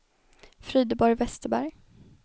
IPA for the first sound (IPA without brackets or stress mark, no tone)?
f